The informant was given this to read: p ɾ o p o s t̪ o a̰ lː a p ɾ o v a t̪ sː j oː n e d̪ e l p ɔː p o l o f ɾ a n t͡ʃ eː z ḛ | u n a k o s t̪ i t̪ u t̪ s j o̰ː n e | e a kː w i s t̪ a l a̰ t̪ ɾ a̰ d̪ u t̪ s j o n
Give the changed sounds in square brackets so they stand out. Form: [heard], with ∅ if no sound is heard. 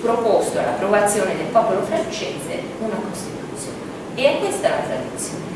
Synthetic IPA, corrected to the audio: p ɾ o p o s t̪ o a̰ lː a p ɾ o v a t̪ sː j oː n e d̪ e l p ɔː p o l o f ɾ a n t͡ʃ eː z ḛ | u n a k o s t̪ i t̪ u t̪ s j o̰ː n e | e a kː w [e] s t̪ a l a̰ t̪ ɾ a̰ d̪ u t̪ s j o n